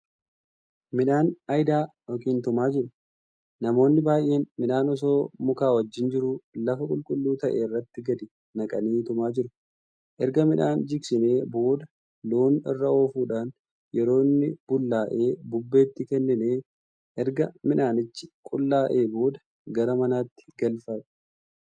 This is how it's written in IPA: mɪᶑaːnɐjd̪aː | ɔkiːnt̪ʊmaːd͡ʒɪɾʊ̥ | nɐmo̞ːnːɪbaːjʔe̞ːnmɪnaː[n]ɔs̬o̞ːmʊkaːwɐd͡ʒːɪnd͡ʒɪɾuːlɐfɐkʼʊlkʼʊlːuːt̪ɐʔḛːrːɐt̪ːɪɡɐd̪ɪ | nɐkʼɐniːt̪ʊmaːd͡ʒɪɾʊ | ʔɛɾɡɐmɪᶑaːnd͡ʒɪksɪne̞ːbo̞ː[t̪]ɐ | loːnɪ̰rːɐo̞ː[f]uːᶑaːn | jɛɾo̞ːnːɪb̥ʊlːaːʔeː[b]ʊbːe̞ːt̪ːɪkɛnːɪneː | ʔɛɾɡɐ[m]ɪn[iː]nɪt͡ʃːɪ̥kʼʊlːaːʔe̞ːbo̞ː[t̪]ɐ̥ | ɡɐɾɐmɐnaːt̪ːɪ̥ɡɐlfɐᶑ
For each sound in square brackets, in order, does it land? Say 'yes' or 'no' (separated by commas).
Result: yes, no, yes, yes, yes, no, no